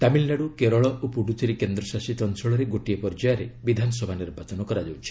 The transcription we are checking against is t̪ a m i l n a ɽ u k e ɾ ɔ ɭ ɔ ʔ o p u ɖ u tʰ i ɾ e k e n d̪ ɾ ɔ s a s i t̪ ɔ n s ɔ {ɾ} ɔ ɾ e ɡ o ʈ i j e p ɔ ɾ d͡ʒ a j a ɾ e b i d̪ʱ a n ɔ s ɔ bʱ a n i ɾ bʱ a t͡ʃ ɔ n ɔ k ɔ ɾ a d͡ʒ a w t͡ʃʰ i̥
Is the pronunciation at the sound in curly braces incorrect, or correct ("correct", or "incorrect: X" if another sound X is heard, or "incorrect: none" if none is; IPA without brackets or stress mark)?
incorrect: ɭ